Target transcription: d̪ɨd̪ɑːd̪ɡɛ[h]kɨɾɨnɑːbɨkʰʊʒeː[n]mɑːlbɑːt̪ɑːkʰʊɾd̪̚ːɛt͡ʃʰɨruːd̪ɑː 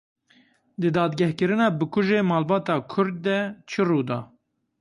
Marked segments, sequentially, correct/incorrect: correct, incorrect: none

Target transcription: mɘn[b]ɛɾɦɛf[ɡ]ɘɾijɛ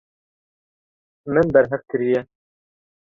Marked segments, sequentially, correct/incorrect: correct, incorrect: k

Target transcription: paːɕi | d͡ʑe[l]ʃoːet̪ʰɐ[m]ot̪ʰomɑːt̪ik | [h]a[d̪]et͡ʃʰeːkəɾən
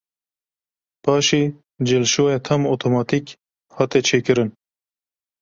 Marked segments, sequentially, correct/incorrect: correct, correct, correct, incorrect: t̪

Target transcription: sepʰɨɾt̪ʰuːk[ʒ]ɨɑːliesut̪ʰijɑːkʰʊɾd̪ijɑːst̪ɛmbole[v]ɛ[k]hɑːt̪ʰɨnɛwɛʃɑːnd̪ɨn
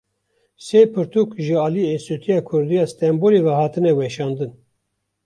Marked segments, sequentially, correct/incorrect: correct, correct, incorrect: none

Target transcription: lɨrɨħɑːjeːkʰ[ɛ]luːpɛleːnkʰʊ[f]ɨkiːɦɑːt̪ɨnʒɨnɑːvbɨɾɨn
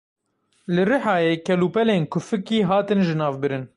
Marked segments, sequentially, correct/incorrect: correct, correct

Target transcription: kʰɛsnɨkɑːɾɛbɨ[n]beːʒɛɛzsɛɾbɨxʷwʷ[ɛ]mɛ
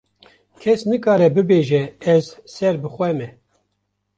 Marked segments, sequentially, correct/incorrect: incorrect: none, correct

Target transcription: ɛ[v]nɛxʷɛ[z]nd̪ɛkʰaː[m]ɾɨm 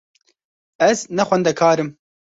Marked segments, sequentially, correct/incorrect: incorrect: z, incorrect: none, incorrect: none

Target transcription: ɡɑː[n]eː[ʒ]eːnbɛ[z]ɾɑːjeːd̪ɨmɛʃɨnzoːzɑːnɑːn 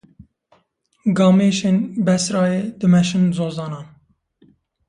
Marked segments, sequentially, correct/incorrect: incorrect: m, incorrect: ʃ, incorrect: s

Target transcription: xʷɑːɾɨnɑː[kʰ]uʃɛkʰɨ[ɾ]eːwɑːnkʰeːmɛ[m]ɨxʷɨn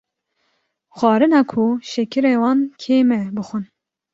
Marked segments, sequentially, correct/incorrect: correct, correct, incorrect: b

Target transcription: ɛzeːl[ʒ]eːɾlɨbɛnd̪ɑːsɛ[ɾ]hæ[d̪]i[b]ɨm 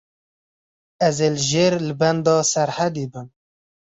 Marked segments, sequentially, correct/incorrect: correct, correct, correct, correct

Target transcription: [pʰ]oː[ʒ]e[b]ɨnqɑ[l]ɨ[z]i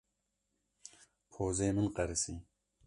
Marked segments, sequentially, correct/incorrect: correct, incorrect: z, incorrect: m, incorrect: ɾ, incorrect: s

